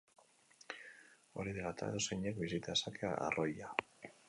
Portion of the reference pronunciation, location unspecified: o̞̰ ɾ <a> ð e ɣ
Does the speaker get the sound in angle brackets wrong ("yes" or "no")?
yes